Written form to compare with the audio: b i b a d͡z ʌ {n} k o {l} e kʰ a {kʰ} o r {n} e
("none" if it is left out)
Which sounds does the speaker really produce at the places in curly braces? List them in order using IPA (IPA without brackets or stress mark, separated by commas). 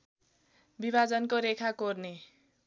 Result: n, ɾ, k, n